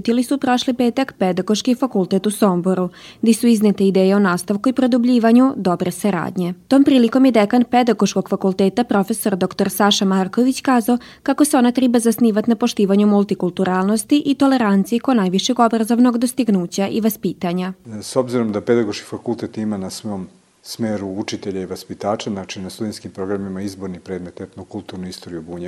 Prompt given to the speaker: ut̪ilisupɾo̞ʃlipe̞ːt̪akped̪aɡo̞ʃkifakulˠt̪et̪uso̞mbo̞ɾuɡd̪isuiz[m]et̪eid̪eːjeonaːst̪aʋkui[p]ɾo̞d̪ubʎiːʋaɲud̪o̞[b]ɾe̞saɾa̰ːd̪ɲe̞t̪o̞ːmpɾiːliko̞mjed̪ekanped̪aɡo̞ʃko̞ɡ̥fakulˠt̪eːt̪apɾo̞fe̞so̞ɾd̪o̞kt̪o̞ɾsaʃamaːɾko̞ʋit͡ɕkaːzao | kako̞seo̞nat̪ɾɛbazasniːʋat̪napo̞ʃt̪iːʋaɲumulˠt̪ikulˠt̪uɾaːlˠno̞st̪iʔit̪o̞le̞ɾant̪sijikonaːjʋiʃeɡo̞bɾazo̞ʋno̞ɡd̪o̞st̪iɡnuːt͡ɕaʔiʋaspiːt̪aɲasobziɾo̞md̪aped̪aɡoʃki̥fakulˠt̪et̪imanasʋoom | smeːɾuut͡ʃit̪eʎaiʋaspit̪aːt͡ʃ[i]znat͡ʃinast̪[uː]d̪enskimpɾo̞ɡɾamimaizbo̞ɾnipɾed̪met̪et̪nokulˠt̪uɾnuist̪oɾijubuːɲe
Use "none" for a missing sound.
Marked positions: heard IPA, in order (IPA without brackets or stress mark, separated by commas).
n, p, b, a, u